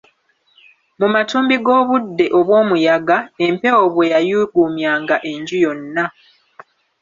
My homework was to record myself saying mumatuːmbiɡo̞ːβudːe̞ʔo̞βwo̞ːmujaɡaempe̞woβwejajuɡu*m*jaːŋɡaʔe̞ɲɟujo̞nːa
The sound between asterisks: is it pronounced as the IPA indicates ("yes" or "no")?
yes